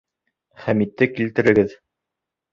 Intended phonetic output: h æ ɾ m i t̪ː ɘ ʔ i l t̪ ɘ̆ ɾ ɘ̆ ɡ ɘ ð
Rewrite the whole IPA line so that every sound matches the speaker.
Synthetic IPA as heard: χ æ m i t̪ː ɘ k i l t̪ ɘ̆ ɾ ɘ̆ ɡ ɘ ð